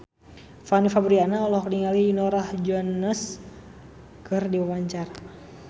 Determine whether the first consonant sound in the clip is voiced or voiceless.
voiceless